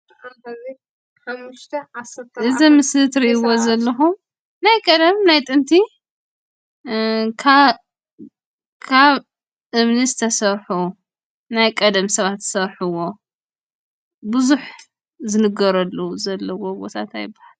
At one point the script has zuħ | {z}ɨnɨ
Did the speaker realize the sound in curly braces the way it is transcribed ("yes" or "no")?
yes